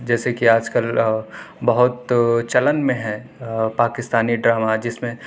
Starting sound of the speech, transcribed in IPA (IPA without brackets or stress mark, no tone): d͡ʒ